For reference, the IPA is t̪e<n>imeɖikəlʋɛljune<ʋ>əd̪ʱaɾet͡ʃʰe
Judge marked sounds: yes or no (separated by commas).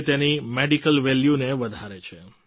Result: yes, yes